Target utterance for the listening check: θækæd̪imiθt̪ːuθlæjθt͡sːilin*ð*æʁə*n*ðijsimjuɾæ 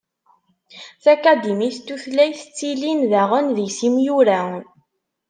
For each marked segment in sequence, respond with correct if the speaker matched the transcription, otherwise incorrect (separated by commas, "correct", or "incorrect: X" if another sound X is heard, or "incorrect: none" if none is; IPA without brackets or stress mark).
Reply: correct, correct